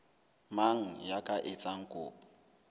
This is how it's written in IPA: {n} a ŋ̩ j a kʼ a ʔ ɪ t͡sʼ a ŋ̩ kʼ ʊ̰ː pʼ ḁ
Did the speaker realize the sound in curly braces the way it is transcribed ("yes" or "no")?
no